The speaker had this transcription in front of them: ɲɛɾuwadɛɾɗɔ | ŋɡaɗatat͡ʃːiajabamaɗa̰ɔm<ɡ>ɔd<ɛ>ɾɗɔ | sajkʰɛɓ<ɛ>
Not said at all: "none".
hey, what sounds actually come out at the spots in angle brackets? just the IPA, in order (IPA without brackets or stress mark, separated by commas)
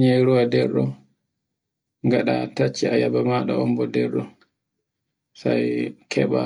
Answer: b, ɛ, a